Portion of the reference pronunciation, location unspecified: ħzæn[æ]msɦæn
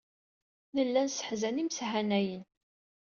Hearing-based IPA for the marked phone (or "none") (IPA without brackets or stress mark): i